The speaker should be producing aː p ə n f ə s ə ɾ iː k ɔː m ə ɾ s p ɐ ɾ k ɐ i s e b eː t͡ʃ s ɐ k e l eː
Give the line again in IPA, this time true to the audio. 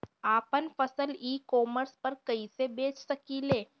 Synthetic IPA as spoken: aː p ə n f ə s ə l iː k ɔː m ə ɾ s p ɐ ɾ k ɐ i s e b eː t͡ʃ s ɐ k i l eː